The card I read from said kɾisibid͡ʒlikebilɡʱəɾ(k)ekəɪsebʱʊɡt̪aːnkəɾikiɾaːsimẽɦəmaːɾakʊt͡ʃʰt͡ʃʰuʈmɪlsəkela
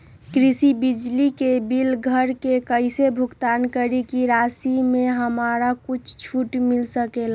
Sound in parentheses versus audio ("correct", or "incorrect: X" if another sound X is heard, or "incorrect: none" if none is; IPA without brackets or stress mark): correct